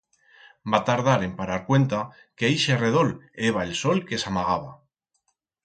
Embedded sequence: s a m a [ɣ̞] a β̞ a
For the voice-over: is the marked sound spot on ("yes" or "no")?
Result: yes